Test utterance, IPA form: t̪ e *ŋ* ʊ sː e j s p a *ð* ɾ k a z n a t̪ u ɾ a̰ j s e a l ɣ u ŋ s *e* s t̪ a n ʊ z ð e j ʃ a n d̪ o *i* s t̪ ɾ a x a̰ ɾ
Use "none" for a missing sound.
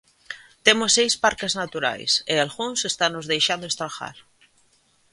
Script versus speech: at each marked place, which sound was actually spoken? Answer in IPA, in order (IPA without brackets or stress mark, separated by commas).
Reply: m, none, e, e